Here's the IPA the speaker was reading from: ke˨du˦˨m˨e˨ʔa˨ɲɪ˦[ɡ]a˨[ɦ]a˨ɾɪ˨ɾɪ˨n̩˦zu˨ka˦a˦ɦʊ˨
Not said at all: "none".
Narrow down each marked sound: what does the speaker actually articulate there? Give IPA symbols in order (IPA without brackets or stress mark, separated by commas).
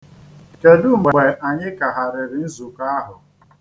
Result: k, ɦ